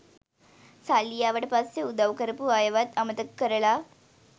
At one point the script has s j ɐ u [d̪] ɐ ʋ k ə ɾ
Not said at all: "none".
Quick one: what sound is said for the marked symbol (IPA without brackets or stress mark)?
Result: d̪